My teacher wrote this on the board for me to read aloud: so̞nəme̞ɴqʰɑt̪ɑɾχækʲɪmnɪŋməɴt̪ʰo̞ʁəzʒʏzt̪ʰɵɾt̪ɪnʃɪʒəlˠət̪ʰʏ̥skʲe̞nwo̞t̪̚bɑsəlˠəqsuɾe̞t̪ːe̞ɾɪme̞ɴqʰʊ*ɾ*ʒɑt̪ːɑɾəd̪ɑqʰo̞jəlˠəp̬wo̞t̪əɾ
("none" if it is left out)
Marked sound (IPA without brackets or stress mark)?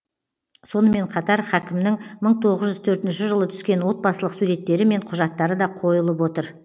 none